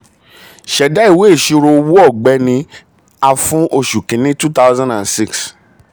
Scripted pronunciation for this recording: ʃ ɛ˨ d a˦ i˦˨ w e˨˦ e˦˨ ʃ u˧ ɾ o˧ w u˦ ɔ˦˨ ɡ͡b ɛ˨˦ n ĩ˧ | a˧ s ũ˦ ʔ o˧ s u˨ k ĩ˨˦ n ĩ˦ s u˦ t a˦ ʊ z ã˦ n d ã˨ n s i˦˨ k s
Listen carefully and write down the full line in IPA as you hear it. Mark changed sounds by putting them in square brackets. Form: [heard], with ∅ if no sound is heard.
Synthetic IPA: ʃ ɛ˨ d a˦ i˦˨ w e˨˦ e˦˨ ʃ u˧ ɾ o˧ w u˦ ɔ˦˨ ɡ͡b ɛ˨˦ n ĩ˧ | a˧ [f] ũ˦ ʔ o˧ [ʃ] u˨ k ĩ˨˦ n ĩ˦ [t] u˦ t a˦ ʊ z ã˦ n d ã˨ n s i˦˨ k s